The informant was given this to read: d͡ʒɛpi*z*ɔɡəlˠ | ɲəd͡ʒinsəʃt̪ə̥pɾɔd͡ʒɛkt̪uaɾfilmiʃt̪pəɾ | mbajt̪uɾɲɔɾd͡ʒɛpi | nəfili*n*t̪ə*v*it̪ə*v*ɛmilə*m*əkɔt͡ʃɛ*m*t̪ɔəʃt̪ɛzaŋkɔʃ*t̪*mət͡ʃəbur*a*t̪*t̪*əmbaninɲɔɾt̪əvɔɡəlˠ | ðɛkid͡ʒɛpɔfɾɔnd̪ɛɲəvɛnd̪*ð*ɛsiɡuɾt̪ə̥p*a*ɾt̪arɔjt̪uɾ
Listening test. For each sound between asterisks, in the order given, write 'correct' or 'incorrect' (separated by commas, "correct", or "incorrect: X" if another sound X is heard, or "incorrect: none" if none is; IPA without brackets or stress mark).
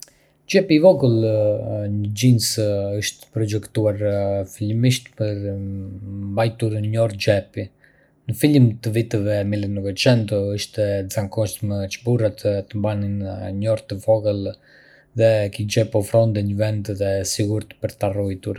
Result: incorrect: v, incorrect: m, correct, correct, incorrect: n, incorrect: n, correct, correct, correct, correct, incorrect: ə